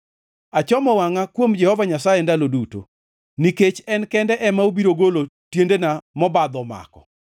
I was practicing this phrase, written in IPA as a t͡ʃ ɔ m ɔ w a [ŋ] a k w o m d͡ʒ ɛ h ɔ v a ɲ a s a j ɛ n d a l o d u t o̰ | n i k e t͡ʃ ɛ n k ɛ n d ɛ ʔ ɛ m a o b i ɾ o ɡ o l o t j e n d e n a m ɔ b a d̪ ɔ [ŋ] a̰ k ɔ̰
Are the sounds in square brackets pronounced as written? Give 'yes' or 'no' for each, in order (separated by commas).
yes, no